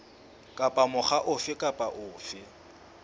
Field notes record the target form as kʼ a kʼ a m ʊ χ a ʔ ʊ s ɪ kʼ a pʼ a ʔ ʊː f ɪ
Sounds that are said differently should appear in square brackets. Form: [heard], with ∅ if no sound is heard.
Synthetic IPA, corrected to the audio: kʼ a [pʼ] a m ʊ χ a ʔ ʊ [f] ɪ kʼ a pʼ a ʔ ʊː f ɪ